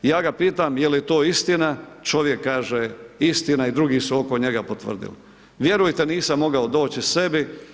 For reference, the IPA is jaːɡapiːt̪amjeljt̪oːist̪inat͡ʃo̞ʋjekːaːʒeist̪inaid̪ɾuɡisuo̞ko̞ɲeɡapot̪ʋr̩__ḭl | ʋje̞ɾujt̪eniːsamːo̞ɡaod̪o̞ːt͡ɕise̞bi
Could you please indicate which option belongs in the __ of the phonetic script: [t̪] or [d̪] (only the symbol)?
d̪